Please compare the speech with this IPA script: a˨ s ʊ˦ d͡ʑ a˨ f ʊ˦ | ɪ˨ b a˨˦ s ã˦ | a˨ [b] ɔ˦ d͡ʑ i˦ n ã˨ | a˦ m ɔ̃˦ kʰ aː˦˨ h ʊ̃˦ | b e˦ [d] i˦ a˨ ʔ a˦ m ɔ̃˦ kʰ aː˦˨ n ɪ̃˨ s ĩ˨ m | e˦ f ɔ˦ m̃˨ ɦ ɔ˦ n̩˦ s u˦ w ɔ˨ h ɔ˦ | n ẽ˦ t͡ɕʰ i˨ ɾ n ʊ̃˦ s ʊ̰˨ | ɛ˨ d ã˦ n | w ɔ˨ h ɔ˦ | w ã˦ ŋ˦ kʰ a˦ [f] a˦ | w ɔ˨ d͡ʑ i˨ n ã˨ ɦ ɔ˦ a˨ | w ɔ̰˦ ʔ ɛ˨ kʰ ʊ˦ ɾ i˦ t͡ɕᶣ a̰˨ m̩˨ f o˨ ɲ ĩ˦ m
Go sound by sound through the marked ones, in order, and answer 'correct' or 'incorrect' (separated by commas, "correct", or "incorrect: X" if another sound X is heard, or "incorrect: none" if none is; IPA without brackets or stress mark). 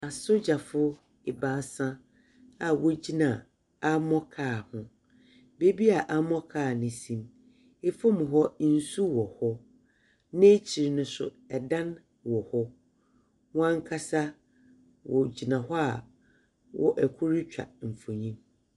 incorrect: w, incorrect: b, incorrect: s